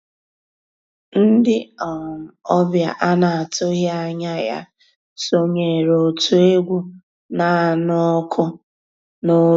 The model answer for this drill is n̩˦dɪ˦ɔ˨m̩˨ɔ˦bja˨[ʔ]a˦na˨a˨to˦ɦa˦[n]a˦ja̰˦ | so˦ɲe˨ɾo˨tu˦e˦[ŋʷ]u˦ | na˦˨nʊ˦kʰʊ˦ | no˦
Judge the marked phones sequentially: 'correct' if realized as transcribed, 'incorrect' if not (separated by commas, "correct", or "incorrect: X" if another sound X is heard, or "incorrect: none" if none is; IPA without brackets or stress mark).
correct, incorrect: ɲ, incorrect: ɡʷ